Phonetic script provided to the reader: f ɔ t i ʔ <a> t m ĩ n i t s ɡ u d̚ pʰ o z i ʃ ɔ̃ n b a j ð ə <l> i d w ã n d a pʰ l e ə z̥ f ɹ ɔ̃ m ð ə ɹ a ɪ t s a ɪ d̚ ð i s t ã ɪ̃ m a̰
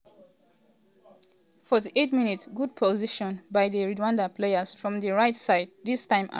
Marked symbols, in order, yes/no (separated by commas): no, no